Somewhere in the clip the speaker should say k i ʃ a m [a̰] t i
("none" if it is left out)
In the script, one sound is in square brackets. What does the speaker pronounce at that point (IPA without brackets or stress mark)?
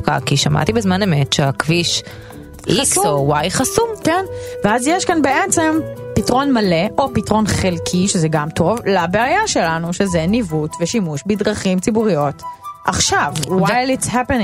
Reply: a̰